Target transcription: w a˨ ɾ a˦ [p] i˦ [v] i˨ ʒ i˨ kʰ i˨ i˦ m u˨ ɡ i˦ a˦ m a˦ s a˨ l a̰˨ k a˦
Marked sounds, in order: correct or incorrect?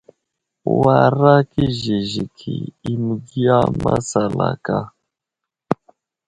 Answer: incorrect: k, incorrect: ʒ

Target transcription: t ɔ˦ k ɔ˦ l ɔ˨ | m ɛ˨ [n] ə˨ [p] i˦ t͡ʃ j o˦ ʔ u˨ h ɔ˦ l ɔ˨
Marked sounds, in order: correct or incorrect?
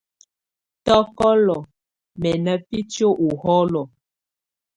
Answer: correct, correct

